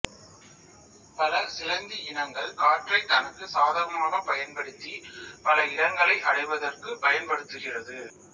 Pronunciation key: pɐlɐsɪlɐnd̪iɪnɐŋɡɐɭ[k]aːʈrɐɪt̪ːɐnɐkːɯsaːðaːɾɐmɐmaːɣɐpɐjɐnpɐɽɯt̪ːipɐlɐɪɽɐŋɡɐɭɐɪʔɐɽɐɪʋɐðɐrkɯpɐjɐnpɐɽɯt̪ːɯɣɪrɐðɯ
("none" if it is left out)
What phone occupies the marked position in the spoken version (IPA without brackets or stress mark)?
k